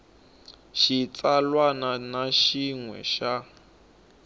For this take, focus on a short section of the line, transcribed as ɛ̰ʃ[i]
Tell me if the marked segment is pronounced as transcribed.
no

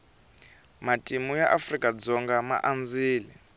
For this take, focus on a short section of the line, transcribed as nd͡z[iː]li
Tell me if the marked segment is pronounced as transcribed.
yes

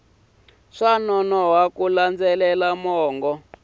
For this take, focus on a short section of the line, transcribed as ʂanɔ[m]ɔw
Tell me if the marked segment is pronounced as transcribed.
no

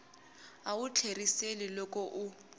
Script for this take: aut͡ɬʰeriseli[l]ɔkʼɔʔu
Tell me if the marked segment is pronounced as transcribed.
yes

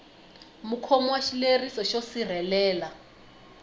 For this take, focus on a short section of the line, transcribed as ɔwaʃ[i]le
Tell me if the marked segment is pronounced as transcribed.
yes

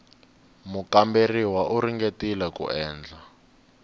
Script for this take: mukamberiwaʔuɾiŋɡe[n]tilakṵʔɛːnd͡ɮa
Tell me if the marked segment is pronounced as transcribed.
no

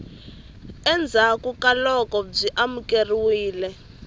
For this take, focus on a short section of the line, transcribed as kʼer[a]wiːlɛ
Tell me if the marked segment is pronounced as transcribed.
no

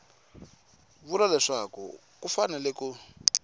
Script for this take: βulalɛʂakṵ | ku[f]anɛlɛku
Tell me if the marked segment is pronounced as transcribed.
yes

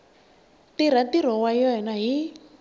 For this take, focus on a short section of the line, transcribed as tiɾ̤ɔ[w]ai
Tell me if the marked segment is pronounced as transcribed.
yes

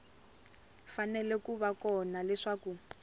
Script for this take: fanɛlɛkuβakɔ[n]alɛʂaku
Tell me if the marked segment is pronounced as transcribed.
yes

